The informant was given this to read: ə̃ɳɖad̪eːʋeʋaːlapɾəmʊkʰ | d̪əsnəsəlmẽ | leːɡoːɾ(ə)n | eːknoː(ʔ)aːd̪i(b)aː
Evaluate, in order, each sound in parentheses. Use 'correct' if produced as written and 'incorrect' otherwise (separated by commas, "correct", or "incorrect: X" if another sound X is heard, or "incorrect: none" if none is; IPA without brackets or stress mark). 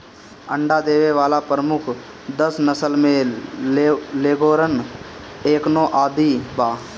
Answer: correct, correct, correct